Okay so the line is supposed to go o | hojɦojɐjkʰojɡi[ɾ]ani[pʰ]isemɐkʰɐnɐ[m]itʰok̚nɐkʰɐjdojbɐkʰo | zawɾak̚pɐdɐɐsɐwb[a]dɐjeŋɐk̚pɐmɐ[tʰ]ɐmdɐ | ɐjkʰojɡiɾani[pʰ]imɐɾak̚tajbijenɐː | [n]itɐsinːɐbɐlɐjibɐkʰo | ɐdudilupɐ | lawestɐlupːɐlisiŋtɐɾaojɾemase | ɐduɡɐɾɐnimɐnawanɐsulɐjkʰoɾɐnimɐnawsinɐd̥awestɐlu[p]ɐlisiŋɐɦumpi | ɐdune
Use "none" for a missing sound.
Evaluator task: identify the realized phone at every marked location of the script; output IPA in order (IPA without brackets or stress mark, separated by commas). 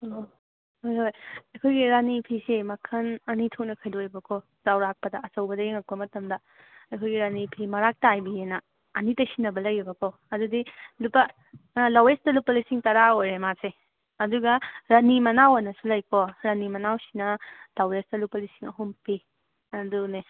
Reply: ɾ, pʰ, n, ɐ, t, pʰ, n, p